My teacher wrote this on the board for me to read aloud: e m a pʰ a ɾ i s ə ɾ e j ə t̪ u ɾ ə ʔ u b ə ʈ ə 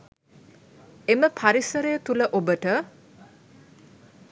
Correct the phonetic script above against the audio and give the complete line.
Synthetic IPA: e m ə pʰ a ɾ i s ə ɾ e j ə t̪ u l ə ʔ o b ə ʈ ə